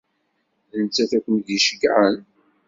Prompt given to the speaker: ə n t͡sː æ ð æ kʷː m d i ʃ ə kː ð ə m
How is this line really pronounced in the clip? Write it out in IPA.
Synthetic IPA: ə n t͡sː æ θ æ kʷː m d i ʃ ə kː ʕ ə n